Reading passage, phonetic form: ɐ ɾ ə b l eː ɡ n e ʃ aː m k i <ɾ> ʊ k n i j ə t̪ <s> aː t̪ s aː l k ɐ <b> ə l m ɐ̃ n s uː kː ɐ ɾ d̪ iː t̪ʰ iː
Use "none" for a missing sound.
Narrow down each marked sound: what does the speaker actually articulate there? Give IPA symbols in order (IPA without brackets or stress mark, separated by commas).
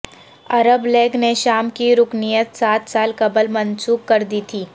ɾ, s, b